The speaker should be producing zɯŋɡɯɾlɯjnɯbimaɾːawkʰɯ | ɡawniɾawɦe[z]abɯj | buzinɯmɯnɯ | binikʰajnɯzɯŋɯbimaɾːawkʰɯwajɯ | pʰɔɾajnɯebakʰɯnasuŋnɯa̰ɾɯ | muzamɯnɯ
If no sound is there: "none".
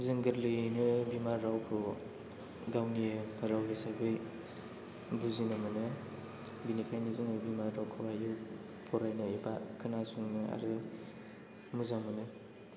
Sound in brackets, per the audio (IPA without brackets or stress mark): s